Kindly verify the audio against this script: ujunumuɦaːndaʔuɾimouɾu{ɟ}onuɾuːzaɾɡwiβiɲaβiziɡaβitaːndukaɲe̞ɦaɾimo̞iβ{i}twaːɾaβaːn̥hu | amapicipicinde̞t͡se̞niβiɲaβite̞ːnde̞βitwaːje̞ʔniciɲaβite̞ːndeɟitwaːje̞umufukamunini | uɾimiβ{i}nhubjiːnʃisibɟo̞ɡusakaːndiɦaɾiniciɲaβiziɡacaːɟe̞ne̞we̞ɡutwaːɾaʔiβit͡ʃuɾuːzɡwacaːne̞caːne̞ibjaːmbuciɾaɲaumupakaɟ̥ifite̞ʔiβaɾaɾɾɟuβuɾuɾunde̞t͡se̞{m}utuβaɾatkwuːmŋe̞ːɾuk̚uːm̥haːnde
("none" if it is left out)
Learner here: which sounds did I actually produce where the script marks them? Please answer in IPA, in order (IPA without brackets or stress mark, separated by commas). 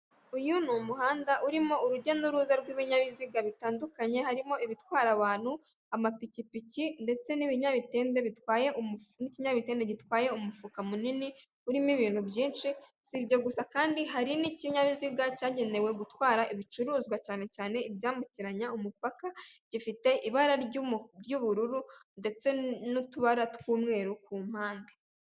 ɟ, i, iː, n